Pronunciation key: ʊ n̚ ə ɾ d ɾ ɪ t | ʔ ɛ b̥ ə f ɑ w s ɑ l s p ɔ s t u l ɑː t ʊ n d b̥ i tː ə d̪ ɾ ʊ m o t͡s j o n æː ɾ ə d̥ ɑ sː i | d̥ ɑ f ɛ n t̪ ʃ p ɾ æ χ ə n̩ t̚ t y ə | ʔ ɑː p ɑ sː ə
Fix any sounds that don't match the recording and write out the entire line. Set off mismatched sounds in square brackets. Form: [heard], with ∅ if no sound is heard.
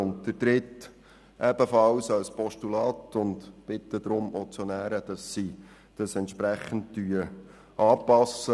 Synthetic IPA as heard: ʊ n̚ ə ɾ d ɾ ɪ t | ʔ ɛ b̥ ə f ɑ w s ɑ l s p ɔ [ʃ] t u l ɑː t ʊ n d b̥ [ɪ] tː ə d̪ ɾ ʊ m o t͡s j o n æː ɾ ə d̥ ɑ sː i | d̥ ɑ [s] ɛ n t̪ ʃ p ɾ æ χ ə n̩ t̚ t y ə | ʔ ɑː p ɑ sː ə

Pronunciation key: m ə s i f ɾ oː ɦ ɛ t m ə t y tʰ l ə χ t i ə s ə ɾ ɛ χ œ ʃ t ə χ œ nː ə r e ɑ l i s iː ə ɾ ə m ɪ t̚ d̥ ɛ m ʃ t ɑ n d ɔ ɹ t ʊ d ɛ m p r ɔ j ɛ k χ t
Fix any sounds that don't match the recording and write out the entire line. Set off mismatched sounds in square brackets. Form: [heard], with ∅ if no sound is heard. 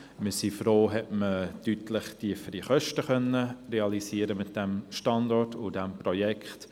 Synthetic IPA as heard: m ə s i f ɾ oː ɦ ɛ t m ə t y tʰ l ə χ t i ə [f] ə ɾ [i] χ œ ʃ t ə χ œ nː ə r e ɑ l i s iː ə ɾ ə m ɪ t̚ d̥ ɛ m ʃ t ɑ n d ɔ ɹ t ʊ d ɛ m p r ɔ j ɛ k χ t

